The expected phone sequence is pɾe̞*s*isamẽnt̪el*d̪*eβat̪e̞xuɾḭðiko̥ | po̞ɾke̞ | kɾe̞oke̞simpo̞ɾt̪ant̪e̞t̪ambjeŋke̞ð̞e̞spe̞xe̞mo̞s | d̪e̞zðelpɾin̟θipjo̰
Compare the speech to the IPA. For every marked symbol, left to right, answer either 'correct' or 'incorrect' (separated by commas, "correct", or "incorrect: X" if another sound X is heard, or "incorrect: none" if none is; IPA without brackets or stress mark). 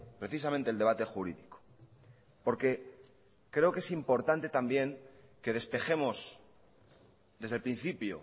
incorrect: θ, correct